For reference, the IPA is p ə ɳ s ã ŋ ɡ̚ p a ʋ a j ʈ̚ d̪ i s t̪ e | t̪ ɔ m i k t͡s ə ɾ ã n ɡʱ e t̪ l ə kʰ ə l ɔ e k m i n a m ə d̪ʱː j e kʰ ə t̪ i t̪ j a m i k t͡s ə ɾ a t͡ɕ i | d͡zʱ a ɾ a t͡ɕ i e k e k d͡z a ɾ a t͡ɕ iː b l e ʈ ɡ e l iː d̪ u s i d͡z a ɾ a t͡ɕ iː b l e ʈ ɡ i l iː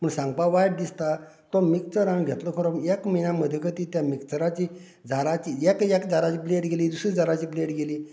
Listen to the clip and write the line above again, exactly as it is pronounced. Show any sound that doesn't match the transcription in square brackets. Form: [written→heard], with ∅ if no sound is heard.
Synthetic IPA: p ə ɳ s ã ŋ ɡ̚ p a ʋ a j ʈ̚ d̪ i s t̪ [e→a] | t̪ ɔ m i k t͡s ə ɾ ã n ɡʱ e t̪ l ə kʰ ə [l→ɾ] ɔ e k m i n a m ə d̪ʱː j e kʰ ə t̪ i t̪ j a m i k t͡s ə ɾ a t͡ɕ i | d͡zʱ a ɾ a t͡ɕ i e k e k d͡z a ɾ a t͡ɕ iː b l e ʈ ɡ e l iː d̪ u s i d͡z a ɾ a t͡ɕ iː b l e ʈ ɡ [i→e] l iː